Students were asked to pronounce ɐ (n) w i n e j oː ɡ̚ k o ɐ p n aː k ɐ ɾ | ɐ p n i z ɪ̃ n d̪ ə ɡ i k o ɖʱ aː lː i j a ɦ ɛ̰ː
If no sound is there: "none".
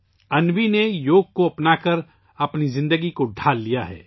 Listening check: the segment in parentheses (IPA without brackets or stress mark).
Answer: n